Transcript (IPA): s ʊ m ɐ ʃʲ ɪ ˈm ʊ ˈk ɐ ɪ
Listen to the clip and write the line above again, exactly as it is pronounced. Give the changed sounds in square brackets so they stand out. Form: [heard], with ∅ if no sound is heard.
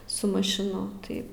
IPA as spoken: s ʊ m ɐ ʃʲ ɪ [ˈn] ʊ [ˈt] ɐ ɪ